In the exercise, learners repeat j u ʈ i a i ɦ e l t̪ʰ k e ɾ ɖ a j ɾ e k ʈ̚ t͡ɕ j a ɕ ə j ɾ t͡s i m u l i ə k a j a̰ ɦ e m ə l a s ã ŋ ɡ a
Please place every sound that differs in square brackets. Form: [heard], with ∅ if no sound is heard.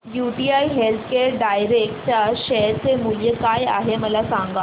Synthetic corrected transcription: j u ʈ i a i ɦ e l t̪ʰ k e ɾ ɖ a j ɾ e k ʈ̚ t͡ɕ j a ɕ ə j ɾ t͡s [e] m u l [j] ə k a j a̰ ɦ e m ə l a s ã ŋ ɡ a